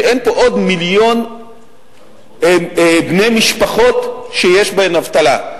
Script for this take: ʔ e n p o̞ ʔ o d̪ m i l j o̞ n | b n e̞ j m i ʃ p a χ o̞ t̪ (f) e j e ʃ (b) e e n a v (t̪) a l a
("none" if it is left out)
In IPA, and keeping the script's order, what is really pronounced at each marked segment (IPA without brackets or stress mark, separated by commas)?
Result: ʃ, b, t̪